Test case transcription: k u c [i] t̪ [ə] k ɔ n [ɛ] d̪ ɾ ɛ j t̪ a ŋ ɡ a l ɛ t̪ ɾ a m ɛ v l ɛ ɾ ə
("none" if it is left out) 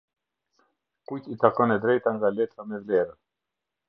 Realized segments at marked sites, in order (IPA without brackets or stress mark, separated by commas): i, a, ɛ